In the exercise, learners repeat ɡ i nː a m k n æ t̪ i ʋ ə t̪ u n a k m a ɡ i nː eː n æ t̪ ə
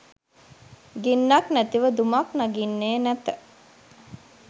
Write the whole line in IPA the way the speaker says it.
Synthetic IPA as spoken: ɡ i nː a k n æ t̪ i ʋ ə d̪ u m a k n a ɡ i nː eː n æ t̪ ə